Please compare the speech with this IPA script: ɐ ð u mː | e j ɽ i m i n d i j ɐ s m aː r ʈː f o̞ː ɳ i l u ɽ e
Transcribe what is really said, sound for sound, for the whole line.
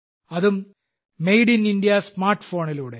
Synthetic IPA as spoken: ɐ ð u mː | e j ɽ i n i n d i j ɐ s m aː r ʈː f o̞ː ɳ i l uː ɽ e